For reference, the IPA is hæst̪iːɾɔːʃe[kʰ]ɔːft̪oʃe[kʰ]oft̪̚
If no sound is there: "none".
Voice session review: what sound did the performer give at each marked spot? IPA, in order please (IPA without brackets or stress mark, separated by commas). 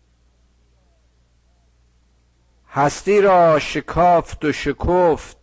kʰ, kʰ